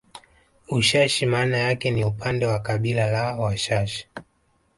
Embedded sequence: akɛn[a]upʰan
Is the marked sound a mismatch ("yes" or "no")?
yes